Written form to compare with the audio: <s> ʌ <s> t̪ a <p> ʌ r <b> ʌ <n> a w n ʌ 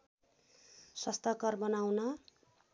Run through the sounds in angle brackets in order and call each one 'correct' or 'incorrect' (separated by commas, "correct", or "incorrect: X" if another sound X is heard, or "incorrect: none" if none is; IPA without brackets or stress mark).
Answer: correct, correct, incorrect: k, correct, correct